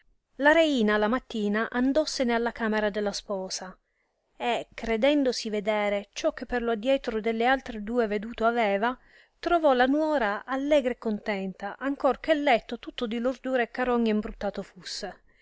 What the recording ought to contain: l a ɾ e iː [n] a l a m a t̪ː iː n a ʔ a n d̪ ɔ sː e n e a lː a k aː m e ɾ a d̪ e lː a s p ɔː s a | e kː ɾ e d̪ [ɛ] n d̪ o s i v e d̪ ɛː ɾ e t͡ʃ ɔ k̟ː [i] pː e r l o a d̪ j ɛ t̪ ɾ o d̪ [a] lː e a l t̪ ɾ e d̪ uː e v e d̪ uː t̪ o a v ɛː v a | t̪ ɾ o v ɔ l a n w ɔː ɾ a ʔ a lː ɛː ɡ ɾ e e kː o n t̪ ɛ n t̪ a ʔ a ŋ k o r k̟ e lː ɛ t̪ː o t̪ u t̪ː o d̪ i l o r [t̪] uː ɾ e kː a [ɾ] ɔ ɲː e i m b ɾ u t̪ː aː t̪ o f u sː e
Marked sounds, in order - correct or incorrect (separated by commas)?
correct, correct, incorrect, incorrect, incorrect, correct